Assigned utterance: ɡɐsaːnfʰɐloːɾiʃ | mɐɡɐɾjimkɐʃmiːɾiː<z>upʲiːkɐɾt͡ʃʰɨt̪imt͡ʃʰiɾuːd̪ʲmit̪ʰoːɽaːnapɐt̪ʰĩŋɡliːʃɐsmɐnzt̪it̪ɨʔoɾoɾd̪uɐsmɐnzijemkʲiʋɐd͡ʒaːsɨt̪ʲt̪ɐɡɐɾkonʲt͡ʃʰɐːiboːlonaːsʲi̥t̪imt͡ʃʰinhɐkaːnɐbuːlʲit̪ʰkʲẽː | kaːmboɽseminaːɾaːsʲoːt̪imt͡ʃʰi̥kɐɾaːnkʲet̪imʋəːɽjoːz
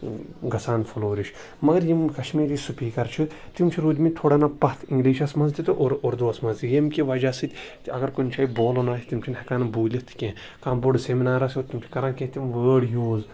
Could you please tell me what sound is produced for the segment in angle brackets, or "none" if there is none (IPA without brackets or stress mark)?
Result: s